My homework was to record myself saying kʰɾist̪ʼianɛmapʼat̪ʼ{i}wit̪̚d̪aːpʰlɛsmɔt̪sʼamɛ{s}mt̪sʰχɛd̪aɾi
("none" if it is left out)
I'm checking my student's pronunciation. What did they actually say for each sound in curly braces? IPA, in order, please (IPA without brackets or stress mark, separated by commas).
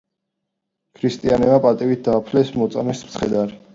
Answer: i, s